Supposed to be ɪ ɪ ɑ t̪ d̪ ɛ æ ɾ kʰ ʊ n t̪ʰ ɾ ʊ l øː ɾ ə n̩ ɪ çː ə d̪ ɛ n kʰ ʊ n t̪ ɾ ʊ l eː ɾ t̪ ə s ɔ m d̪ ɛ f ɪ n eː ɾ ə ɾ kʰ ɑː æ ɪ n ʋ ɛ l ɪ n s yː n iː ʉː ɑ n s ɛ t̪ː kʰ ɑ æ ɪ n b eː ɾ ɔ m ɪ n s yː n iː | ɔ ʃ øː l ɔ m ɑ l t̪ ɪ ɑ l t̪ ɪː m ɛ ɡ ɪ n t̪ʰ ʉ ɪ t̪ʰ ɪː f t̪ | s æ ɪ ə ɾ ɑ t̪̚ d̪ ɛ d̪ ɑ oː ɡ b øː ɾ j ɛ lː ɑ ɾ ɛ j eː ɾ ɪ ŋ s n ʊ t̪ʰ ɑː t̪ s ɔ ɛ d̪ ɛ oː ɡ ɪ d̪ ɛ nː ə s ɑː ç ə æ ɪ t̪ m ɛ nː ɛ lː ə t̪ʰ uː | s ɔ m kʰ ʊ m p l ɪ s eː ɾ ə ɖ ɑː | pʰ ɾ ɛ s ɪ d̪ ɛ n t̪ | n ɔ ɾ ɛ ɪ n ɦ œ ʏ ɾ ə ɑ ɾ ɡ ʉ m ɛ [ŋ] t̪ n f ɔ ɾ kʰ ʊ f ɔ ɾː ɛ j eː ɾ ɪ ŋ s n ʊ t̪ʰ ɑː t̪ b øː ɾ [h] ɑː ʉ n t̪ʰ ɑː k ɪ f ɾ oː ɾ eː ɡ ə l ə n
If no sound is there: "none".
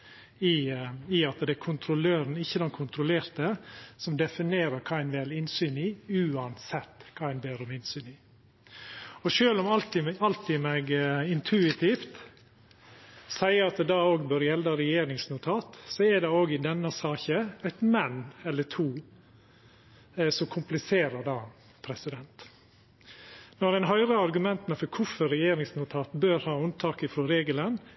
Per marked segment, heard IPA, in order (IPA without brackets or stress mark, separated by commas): n, h